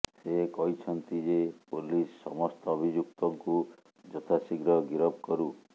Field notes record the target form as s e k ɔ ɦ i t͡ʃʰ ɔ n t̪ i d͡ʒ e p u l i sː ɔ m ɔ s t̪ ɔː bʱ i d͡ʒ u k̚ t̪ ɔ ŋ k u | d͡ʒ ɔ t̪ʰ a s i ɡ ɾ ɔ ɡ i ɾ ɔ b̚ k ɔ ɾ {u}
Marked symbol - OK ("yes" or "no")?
yes